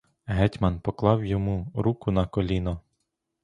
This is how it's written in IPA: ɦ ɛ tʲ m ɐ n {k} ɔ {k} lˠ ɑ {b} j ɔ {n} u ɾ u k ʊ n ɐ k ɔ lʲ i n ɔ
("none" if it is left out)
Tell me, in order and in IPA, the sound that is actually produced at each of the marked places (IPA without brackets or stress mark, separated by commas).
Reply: p, k, w, m